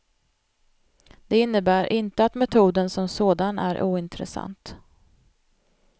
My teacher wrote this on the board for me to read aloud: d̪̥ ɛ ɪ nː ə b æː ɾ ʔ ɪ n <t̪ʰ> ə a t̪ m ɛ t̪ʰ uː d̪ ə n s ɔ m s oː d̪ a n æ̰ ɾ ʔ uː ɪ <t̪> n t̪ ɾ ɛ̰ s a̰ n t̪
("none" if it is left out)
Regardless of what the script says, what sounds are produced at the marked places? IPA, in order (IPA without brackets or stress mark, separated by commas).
t̪, none